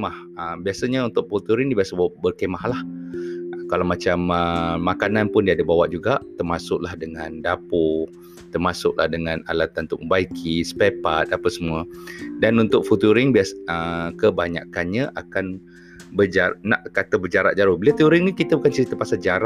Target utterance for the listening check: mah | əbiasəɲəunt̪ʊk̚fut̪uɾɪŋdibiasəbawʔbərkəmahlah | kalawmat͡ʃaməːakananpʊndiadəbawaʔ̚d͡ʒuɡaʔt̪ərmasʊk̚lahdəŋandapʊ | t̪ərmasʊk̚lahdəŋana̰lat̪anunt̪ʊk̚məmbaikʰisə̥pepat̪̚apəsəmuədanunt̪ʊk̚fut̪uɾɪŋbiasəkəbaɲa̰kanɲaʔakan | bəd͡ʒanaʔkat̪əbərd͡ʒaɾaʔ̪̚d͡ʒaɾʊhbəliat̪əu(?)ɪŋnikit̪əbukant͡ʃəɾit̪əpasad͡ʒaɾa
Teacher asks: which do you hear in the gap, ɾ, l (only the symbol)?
ɾ